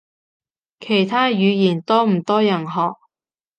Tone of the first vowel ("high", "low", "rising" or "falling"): low